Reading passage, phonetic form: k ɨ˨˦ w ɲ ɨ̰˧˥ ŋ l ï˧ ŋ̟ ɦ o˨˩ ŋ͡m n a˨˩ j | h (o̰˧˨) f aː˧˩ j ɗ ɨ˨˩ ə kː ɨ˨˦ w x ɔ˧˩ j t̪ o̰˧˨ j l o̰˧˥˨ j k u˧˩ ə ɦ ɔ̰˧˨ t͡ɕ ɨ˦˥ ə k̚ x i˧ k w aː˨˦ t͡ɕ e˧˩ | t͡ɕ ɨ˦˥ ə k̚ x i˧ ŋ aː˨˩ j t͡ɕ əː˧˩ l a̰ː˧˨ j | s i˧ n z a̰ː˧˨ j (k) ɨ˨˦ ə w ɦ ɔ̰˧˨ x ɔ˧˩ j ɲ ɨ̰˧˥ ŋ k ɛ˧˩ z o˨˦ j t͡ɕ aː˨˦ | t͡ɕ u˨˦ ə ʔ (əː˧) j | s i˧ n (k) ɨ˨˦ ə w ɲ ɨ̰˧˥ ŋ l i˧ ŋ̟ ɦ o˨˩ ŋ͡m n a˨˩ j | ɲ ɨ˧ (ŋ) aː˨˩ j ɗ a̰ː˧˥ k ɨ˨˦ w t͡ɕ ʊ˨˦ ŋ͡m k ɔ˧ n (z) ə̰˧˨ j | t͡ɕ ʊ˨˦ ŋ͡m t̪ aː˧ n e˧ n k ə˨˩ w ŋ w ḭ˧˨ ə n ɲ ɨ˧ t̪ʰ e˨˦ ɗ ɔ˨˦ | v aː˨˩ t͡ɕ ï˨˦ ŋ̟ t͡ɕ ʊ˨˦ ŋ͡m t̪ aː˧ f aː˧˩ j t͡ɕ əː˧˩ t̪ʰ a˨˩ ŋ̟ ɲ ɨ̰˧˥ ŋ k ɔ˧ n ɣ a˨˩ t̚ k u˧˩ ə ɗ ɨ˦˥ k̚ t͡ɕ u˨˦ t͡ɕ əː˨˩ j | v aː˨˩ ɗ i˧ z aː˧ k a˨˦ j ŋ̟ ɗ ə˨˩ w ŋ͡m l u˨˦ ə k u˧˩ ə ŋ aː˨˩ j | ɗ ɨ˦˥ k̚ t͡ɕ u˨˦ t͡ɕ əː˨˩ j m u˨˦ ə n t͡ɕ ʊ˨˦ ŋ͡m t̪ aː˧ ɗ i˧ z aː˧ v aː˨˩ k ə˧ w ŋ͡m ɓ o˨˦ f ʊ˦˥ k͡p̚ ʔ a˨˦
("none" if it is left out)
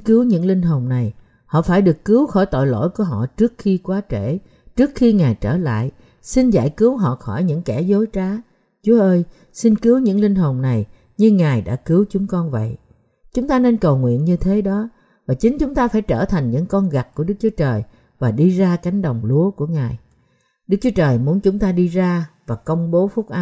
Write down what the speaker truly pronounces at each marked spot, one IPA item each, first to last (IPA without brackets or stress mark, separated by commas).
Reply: ɔ̰˧˨, k, əː˧, k, ŋ, v